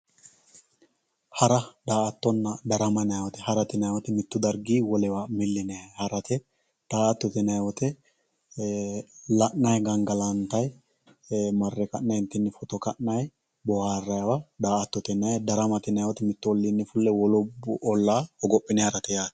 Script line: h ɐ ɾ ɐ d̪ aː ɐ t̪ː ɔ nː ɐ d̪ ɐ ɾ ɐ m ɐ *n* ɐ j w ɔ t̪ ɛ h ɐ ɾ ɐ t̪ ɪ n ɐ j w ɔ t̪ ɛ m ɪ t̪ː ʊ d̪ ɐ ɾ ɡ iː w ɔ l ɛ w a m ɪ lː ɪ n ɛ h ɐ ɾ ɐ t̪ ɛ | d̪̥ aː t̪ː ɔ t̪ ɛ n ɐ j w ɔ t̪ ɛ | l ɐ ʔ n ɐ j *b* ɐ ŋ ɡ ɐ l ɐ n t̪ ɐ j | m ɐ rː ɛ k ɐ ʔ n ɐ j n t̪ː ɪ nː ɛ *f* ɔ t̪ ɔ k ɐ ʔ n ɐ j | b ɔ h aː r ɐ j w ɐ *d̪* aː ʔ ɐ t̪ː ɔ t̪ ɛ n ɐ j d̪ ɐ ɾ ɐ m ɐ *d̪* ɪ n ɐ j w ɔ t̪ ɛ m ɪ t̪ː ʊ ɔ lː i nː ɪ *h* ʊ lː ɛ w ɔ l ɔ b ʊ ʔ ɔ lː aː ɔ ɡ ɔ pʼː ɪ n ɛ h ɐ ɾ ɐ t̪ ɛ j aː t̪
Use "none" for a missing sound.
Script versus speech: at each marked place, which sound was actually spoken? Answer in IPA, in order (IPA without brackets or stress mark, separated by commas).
n, ɡ, f, d̪, t̪, f